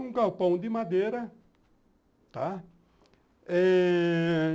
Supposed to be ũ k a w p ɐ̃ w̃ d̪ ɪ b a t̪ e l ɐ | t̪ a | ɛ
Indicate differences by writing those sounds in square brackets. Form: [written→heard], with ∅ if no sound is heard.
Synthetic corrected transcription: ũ k a w p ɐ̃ w̃ d̪ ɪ [b→m] a [t̪→d̪] e [l→ɾ] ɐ | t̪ a | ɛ

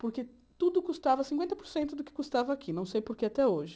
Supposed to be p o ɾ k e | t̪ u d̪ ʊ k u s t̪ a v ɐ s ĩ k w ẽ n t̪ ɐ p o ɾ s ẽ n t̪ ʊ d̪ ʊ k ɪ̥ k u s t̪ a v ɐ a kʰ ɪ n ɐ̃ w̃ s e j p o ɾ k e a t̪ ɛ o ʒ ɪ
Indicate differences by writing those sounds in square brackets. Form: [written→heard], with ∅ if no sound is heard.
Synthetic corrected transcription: p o ɾ k e | t̪ u d̪ ʊ k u s t̪ a v ɐ s ĩ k w ẽ n t̪ ɐ p o ɾ s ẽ n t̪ ʊ d̪ ʊ k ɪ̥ k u s t̪ a v ɐ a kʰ [ɪ→i] n ɐ̃ w̃ s e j p o ɾ k e a t̪ ɛ o ʒ ɪ

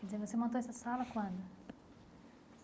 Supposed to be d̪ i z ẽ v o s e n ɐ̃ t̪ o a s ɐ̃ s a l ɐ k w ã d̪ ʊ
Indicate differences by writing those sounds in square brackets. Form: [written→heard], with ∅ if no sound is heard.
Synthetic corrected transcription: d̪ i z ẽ v o s e [n→m] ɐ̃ t̪ o [a→ɛ] s [ɐ̃→ɐ] s a l ɐ k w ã d̪ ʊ

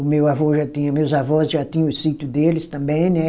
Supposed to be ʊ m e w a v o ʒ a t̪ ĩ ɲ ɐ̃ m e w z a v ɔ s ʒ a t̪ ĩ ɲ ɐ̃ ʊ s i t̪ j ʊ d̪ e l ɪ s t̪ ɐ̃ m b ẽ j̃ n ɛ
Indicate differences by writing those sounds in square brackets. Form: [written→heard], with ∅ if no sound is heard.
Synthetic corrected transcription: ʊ m e w a v o ʒ a t̪ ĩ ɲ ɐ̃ m e w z a v ɔ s ʒ a t̪ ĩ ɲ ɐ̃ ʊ s i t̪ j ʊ d̪ e l ɪ s t̪ ɐ̃ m b ẽ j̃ n ɛ

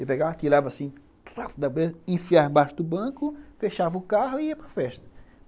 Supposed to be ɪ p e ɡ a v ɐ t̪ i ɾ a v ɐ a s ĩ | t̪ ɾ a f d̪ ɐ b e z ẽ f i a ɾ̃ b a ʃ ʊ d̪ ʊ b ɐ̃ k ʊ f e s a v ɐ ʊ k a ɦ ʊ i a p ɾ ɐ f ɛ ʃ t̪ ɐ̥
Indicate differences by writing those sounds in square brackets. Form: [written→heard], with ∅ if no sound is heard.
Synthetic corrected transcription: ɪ p e ɡ a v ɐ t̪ i ɾ a v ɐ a s ĩ | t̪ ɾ a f d̪ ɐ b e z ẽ f i a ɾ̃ b a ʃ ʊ d̪ ʊ b ɐ̃ k ʊ f e [s→ʃ] a v ɐ ʊ k a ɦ ʊ i [a→ɐ] p ɾ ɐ f ɛ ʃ t̪ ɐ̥

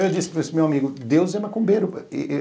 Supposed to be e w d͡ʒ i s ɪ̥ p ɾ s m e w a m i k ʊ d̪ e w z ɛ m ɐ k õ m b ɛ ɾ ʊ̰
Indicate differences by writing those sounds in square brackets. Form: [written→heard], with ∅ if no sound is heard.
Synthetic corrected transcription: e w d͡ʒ i s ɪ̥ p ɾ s m e w a m i [k→ɡ] ʊ d̪ e w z ɛ m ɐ k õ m b [ɛ→e] ɾ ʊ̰

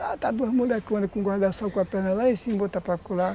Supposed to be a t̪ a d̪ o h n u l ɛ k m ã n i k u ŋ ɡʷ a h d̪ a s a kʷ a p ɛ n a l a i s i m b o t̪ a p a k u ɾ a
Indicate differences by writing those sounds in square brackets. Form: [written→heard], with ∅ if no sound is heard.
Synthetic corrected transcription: a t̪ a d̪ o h [n→m] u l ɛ k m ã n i k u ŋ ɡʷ a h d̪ a s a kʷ a p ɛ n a l a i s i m b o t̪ a p a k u [ɾ→l] a

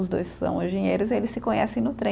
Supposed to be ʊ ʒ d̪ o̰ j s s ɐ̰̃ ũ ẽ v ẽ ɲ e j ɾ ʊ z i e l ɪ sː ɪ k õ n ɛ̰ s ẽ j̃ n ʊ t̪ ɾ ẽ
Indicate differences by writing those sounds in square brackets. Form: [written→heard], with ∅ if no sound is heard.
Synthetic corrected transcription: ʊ [ʒ→z] d̪ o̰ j s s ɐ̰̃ [ũ→w̃] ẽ [v→ʒ] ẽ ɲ e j ɾ ʊ z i e l ɪ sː ɪ k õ [n→ɲ] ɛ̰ s ẽ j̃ n ʊ t̪ ɾ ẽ

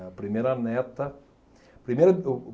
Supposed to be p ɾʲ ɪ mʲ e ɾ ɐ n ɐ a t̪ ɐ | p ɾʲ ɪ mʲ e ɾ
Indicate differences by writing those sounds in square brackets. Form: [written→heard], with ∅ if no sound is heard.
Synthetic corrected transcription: p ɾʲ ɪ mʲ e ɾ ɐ n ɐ [a→ɛ] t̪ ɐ | p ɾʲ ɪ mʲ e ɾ

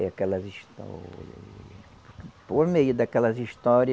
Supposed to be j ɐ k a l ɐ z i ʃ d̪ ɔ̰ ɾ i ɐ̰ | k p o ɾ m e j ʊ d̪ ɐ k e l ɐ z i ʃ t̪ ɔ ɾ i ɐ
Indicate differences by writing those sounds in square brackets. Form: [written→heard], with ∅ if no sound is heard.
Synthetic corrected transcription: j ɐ k [a→ɛ] l ɐ z i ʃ [d̪→t̪] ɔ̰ ɾ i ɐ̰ | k p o ɾ m e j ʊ d̪ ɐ k [e→ɛ] l ɐ z i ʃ t̪ ɔ ɾ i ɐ

